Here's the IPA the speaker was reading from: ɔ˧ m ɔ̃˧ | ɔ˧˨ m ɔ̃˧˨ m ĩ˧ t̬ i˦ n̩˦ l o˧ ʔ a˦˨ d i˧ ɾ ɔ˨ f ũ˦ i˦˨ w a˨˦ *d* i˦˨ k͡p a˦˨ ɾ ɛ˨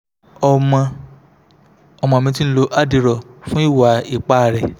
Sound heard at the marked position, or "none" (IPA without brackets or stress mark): none